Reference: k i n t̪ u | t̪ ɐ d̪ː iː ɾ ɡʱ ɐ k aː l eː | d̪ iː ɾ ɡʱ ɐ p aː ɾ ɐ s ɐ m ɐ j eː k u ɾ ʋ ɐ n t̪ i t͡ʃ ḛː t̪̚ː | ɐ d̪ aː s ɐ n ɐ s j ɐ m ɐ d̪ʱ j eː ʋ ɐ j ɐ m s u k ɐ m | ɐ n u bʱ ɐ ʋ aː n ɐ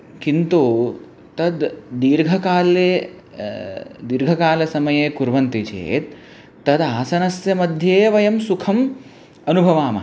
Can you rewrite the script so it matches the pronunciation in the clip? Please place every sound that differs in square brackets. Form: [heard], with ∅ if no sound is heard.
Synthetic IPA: k i n t̪ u | t̪ ɐ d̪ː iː ɾ ɡʱ ɐ k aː l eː | d̪ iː ɾ ɡʱ ɐ [k] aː [l] ɐ s ɐ m ɐ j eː k u ɾ ʋ ɐ n t̪ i t͡ʃ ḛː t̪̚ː | ɐ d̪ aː s ɐ n ɐ s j ɐ m ɐ d̪ʱ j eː ʋ ɐ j ɐ m s u [kʰ] ɐ m | ɐ n u bʱ ɐ ʋ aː [m] ɐ

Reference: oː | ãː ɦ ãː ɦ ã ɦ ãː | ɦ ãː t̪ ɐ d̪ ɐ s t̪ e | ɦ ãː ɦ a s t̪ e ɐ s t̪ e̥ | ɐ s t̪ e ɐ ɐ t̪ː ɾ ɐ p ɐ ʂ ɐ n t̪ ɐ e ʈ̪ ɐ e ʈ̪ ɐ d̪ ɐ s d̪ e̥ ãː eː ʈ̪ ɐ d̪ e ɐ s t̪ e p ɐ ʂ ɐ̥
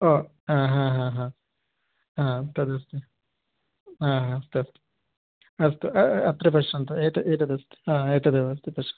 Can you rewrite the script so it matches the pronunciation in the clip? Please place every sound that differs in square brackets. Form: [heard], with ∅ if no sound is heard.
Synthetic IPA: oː | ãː ɦ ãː ɦ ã ɦ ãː | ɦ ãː t̪ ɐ d̪ ɐ s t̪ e | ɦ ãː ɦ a s t̪ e ɐ s t̪ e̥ | ɐ s t̪ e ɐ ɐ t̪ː ɾ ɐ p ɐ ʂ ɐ n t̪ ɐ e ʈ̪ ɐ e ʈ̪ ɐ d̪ ɐ s [t̪] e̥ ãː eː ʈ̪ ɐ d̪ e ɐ s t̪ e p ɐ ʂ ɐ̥

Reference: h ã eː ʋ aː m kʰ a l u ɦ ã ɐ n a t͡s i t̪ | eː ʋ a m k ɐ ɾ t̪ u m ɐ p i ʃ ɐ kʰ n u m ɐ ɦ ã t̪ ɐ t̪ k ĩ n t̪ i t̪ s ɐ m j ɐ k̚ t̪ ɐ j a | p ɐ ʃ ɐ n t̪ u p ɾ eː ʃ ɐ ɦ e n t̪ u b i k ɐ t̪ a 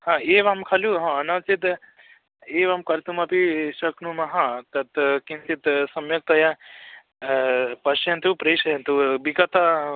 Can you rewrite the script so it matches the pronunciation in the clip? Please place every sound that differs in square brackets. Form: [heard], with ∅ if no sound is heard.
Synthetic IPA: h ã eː ʋ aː m kʰ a l u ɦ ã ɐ n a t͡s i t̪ | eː ʋ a m k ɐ ɾ t̪ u m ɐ p i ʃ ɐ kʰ n u m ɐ ɦ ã t̪ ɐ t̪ k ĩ n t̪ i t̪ s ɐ m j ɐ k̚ t̪ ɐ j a | p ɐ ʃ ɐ n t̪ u p ɾ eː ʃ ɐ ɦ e n t̪ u b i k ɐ t̪ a

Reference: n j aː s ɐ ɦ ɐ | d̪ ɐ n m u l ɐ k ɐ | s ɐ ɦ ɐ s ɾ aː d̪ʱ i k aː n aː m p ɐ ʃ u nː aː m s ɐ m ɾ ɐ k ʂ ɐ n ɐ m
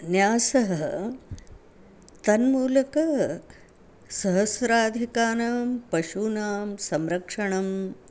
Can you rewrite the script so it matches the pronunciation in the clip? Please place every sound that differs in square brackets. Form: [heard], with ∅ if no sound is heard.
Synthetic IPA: n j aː s ɐ ɦ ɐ | [t̪] ɐ n m [uː] l ɐ k ɐ | s ɐ ɦ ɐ s ɾ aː d̪ʱ i k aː n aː m p ɐ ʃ u [n] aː m s ɐ m ɾ ɐ k ʂ ɐ [ɳ] ɐ m

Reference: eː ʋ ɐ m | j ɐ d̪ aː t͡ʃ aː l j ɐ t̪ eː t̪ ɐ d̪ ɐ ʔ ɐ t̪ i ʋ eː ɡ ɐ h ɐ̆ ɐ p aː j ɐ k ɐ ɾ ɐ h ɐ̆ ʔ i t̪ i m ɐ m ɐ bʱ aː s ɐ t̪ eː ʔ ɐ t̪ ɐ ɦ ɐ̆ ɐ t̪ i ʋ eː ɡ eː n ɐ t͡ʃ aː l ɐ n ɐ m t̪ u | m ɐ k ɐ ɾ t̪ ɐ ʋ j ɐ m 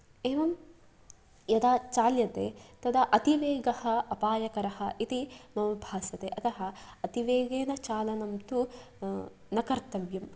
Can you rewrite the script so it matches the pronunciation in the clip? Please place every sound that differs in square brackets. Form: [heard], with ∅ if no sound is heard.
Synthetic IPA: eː ʋ ɐ m | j ɐ d̪ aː t͡ʃ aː l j ɐ t̪ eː t̪ ɐ d̪ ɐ ʔ ɐ t̪ i ʋ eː ɡ ɐ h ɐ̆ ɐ p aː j ɐ k ɐ ɾ ɐ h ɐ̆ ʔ i t̪ i m ɐ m ɐ bʱ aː s ɐ t̪ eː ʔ ɐ t̪ ɐ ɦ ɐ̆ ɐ t̪ i ʋ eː ɡ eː n ɐ t͡ʃ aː l ɐ n ɐ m t̪ u | [n] ɐ k ɐ ɾ t̪ ɐ ʋ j ɐ m

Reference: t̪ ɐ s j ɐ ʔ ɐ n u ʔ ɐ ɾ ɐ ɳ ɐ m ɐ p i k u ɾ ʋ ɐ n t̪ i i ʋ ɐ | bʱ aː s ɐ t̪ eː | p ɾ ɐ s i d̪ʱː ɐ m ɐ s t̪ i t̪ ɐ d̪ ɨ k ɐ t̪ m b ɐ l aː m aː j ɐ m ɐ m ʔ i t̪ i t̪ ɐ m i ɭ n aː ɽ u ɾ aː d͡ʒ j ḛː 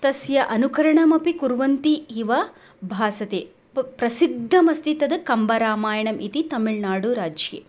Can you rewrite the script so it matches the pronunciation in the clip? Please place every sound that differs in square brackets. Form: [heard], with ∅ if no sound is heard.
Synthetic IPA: t̪ ɐ s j ɐ ʔ ɐ n u [k] ɐ ɾ ɐ ɳ ɐ m ɐ p i k u ɾ ʋ ɐ n t̪ i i ʋ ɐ | bʱ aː s ɐ t̪ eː | p ɾ ɐ s i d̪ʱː ɐ m ɐ s t̪ i t̪ ɐ d̪ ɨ k ɐ [∅] m b ɐ [ɾ] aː m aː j ɐ [ɳ] ɐ m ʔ i t̪ i t̪ ɐ m i ɭ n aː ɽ u ɾ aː d͡ʒ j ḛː

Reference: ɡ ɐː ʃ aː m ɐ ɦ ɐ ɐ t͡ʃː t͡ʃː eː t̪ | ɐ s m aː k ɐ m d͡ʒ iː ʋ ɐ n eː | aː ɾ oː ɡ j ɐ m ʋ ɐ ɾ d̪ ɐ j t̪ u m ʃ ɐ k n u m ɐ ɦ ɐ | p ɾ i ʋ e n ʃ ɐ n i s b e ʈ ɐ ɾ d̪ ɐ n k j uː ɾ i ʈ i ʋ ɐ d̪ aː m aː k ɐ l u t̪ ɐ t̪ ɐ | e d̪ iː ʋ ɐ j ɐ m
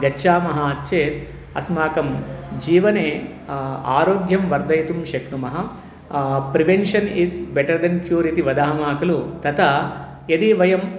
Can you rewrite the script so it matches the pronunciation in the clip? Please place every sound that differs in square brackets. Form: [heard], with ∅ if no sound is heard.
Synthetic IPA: ɡ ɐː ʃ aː m ɐ ɦ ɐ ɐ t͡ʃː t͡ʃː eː t̪ | ɐ s m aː k ɐ m d͡ʒ iː ʋ ɐ n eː | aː ɾ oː ɡ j ɐ m ʋ ɐ ɾ d̪ ɐ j t̪ u m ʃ ɐ k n u m ɐ ɦ ɐ | p ɾ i ʋ e n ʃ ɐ n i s b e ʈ ɐ ɾ d̪ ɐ n k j uː ɾ i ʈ i ʋ ɐ d̪ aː m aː k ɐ l u t̪ ɐ t̪ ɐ | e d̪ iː ʋ ɐ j ɐ m

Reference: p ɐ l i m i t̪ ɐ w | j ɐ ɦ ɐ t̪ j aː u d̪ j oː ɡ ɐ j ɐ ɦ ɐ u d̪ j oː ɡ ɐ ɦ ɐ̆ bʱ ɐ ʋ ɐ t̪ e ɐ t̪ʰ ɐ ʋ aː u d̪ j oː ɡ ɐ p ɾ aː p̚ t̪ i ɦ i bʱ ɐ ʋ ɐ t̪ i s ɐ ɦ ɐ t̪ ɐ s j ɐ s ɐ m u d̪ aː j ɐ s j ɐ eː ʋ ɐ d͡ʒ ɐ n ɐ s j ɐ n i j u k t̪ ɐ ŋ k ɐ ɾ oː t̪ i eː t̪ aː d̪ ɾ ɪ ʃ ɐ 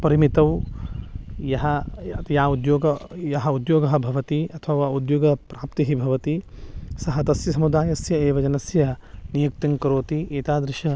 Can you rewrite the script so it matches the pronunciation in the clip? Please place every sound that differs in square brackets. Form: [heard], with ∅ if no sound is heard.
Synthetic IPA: p ɐ [ɾ] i m i t̪ ɐ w | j ɐ ɦ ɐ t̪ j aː u d̪ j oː ɡ ɐ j ɐ ɦ ɐ u d̪ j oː ɡ ɐ ɦ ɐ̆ bʱ ɐ ʋ ɐ t̪ [i] ɐ t̪ʰ ɐ ʋ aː u d̪ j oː ɡ ɐ p ɾ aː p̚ t̪ i ɦ i bʱ ɐ ʋ ɐ t̪ i s ɐ ɦ ɐ t̪ ɐ s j ɐ s ɐ m u d̪ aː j ɐ s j ɐ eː ʋ ɐ d͡ʒ ɐ n ɐ s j ɐ n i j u k t̪ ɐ ŋ k ɐ ɾ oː t̪ i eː t̪ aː d̪ ɾ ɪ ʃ ɐ

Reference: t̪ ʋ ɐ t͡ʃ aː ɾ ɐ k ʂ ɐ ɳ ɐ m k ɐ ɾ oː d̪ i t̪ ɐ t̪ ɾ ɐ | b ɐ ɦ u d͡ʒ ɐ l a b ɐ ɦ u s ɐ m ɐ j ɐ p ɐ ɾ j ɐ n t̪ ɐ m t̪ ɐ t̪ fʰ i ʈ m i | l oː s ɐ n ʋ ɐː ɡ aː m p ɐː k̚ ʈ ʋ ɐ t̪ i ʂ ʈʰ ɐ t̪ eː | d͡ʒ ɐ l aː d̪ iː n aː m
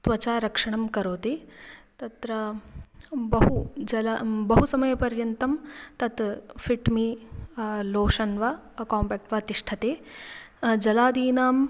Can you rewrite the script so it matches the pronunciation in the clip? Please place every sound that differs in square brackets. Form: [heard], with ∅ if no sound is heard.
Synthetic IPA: t̪ ʋ ɐ t͡ʃ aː ɾ ɐ k ʂ ɐ ɳ ɐ m k ɐ ɾ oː [t̪] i t̪ ɐ t̪ ɾ ɐ | b ɐ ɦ u d͡ʒ ɐ l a b ɐ ɦ u s ɐ m ɐ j ɐ p ɐ ɾ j ɐ n t̪ ɐ m t̪ ɐ t̪ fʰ i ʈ m i | l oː [ʂ] ɐ n ʋ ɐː [k] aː m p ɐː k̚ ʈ ʋ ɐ t̪ i ʂ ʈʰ ɐ t̪ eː | d͡ʒ ɐ l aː d̪ iː n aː m

